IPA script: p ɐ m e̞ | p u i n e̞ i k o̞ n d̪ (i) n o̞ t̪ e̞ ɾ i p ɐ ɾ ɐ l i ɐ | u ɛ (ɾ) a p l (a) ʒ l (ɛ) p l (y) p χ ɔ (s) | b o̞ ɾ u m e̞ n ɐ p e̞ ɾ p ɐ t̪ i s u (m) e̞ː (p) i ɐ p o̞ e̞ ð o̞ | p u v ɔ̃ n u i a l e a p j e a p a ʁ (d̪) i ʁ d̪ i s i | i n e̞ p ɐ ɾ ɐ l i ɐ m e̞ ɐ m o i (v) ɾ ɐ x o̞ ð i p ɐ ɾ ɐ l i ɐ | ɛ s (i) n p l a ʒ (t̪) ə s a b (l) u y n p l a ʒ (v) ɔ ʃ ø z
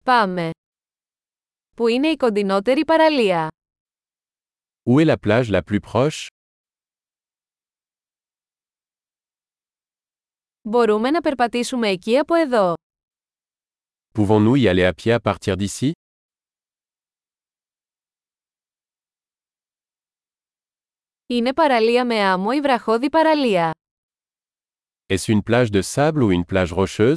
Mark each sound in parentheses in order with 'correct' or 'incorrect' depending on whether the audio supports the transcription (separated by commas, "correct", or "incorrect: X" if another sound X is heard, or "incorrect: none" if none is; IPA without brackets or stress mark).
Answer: correct, incorrect: l, correct, incorrect: a, correct, incorrect: ʃ, correct, incorrect: c, incorrect: t̪, correct, incorrect: y, incorrect: d̪, correct, incorrect: ʁ